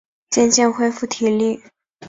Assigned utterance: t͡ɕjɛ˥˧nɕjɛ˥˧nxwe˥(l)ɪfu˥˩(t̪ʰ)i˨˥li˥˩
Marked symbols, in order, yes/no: no, yes

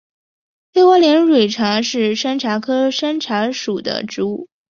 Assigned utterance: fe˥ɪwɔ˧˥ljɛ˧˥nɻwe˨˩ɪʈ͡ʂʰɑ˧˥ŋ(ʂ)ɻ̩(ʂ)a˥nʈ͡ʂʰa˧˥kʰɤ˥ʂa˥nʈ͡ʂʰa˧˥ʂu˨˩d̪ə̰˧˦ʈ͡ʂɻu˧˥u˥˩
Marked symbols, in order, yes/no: yes, yes

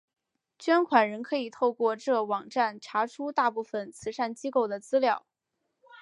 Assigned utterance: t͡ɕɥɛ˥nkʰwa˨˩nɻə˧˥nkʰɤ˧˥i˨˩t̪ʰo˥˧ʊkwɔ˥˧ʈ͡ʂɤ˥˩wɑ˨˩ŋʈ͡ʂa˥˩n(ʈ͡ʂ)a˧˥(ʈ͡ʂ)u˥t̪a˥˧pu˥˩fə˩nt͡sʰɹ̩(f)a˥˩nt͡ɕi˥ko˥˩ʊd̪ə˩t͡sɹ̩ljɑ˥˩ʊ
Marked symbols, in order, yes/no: no, no, no

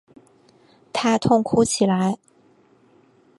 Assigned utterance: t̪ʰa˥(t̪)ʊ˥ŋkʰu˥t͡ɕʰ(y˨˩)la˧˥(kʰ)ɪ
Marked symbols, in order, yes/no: no, no, no

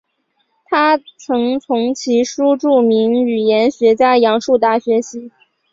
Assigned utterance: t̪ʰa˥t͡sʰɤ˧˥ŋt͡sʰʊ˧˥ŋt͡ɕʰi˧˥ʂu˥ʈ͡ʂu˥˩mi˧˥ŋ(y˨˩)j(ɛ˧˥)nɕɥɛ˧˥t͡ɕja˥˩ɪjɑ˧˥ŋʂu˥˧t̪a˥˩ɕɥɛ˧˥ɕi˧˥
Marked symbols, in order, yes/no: yes, yes

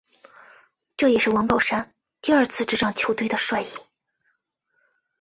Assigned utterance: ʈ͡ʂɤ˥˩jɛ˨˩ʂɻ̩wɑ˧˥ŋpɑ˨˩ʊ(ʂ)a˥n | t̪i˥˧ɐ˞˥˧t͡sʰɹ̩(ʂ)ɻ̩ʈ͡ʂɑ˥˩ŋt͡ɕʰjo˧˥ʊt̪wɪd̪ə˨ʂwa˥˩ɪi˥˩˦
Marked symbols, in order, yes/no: yes, no

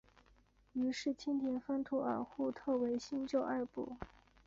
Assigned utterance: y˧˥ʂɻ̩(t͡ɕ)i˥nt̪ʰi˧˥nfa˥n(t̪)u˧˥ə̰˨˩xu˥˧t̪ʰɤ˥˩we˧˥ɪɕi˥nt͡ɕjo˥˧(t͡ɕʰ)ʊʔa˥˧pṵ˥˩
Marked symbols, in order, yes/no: no, no, no

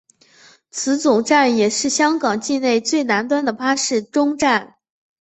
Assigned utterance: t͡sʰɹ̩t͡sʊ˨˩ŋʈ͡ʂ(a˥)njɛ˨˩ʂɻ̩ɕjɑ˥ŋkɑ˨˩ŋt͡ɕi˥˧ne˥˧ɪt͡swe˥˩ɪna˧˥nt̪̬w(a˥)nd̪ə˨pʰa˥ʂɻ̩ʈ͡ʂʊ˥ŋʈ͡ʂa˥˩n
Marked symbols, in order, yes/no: no, yes

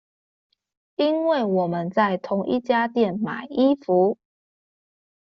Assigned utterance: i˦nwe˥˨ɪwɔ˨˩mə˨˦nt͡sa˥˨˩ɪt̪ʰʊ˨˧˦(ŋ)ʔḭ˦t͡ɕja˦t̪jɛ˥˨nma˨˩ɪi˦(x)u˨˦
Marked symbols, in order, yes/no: yes, no

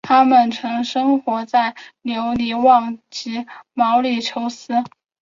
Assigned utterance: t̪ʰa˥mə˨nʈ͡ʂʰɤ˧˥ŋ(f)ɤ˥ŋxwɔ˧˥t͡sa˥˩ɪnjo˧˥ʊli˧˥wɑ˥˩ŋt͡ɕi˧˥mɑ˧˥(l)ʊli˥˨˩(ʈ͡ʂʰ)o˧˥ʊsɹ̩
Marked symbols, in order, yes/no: no, no, yes

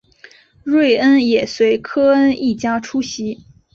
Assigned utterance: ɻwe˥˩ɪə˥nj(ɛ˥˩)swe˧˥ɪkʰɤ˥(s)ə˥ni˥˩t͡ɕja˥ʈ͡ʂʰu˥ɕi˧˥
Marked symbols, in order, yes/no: no, no

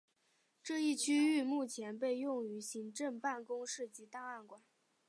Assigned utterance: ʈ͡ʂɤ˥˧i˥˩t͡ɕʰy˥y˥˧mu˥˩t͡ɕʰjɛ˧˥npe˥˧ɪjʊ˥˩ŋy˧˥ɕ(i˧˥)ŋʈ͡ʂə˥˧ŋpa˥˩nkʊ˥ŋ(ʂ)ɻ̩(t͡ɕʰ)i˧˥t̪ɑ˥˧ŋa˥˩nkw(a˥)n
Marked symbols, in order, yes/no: yes, yes, no, no

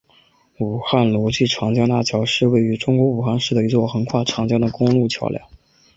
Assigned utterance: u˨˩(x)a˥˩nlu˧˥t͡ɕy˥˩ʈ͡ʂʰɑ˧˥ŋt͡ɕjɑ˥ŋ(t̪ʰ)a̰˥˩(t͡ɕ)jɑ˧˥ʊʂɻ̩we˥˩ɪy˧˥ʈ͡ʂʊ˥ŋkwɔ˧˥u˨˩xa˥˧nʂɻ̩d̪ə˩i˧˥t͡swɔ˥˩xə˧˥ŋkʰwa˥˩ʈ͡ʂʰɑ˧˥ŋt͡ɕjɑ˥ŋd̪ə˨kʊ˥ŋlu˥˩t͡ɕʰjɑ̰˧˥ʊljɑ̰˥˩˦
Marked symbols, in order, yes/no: yes, no, no

